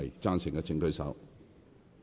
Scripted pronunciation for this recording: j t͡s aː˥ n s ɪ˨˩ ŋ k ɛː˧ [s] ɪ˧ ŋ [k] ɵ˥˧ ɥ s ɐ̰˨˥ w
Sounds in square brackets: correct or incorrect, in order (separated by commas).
incorrect, correct